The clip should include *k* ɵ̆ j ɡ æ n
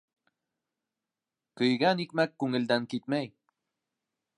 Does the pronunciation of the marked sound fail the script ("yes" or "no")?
no